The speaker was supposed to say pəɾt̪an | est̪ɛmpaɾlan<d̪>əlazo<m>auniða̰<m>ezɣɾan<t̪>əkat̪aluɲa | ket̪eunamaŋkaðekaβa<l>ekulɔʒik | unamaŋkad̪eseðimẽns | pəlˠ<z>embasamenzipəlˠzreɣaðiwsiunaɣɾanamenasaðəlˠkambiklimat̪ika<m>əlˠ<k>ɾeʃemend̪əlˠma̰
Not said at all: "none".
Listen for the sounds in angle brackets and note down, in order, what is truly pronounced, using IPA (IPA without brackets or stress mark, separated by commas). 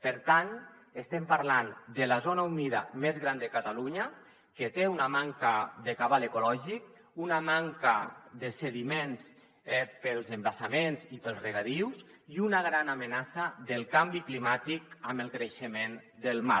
d̪, n, m, d̪, l, z, m, k